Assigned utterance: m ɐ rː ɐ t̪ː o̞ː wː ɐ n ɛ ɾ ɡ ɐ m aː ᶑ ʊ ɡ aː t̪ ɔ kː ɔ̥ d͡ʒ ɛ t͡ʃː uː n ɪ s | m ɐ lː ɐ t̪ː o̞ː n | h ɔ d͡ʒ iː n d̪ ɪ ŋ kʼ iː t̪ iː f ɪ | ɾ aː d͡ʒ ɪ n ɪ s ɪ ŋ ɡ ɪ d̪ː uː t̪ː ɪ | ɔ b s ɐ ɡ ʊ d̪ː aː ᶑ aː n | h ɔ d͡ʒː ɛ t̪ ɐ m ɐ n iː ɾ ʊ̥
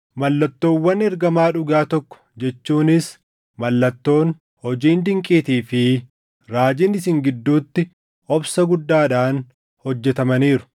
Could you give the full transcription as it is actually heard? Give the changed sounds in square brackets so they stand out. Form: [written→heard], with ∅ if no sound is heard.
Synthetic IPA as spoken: m ɐ [rː→lː] ɐ t̪ː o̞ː wː ɐ n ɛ ɾ ɡ ɐ m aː ᶑ ʊ ɡ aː t̪ ɔ kː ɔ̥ d͡ʒ ɛ t͡ʃː uː n ɪ s | m ɐ lː ɐ t̪ː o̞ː n | h ɔ d͡ʒ iː n d̪ ɪ ŋ kʼ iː t̪ iː f ɪ | ɾ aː d͡ʒ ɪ n ɪ s ɪ ŋ ɡ ɪ d̪ː uː t̪ː ɪ | ɔ b s ɐ ɡ ʊ d̪ː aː ᶑ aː n | h ɔ d͡ʒː ɛ t̪ ɐ m ɐ n iː ɾ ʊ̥